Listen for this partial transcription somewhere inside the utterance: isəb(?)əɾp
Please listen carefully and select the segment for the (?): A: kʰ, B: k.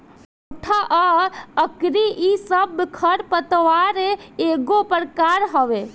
A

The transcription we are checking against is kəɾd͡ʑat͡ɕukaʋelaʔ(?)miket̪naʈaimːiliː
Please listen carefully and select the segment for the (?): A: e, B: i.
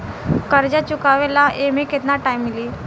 A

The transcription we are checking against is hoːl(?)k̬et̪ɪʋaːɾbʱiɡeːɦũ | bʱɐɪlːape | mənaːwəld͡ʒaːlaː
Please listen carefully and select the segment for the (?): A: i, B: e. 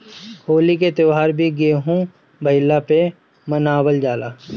A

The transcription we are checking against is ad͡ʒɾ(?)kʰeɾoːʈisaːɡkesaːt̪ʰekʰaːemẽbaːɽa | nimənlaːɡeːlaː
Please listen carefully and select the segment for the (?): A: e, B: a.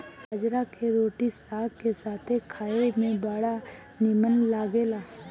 B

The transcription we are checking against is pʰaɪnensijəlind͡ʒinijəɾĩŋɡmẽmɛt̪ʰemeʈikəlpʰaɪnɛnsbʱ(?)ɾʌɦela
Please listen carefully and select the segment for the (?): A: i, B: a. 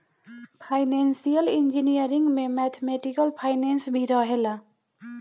A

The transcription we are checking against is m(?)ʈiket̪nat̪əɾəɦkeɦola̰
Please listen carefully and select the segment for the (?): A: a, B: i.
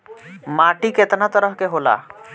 A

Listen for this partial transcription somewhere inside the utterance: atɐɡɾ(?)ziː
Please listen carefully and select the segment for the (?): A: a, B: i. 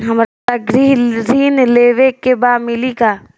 B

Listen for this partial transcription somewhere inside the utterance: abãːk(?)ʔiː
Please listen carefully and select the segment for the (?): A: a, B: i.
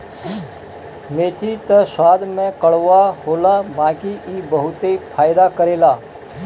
B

